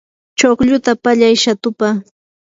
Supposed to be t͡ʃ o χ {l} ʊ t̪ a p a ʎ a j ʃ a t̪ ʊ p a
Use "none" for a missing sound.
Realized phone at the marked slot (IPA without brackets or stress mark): ʎ